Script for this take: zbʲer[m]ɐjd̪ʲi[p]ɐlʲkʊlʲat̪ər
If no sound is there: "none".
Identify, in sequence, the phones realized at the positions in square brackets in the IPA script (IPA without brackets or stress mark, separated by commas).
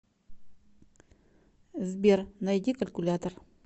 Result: n, k